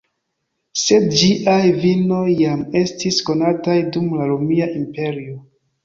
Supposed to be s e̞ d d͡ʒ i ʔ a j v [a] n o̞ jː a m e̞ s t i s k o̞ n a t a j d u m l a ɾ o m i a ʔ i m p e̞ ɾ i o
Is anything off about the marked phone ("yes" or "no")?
yes